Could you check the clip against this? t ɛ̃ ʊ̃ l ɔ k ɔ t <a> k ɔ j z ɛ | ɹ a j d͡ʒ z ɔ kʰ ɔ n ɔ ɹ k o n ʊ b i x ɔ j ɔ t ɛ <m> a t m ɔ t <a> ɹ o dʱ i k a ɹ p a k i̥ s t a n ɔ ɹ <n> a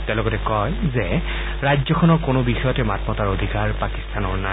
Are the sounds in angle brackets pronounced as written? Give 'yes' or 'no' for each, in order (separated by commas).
no, yes, yes, yes